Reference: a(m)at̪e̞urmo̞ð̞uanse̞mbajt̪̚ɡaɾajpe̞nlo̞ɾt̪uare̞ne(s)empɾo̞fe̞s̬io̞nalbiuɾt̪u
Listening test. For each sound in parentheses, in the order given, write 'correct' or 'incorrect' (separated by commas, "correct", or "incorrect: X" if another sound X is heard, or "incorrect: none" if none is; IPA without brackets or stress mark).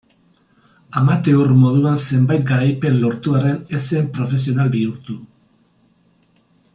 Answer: correct, correct